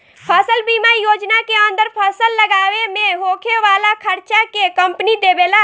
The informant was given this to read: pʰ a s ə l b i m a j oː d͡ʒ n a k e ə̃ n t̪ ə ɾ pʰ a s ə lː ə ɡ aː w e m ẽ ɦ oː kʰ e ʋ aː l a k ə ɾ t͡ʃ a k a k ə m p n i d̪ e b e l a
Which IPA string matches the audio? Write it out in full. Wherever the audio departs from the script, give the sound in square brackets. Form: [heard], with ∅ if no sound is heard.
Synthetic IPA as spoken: pʰ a s ə l b i m a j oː d͡ʒ n a k e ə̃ n [d̪] ə ɾ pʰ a s ə lː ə ɡ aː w e m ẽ ɦ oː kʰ e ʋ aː l a [kʰ] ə ɾ t͡ʃ a k [e] k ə m p n i d̪ e b e l a